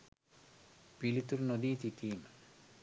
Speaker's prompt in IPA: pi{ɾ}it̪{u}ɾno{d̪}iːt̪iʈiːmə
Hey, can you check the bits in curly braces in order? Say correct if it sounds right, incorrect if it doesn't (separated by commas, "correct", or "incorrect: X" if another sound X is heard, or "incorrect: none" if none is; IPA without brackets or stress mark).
incorrect: l, correct, correct